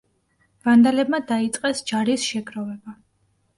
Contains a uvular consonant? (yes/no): yes